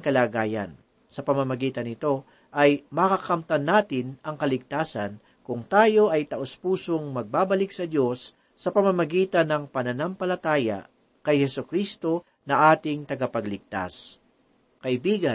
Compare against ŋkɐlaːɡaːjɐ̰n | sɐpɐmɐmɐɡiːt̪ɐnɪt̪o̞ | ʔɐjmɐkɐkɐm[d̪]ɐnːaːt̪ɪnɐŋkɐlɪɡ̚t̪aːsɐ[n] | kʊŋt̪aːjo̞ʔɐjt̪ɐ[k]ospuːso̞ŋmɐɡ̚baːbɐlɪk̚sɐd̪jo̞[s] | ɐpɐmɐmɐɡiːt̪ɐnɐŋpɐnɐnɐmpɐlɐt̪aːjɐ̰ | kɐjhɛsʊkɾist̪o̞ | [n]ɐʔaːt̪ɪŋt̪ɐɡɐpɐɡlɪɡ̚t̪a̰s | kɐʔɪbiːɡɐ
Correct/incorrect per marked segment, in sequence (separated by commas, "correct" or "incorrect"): incorrect, correct, incorrect, incorrect, correct